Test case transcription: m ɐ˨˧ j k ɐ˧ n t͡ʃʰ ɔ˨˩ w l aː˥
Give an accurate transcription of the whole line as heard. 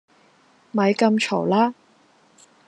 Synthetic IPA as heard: m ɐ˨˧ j k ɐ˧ m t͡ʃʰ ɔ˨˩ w l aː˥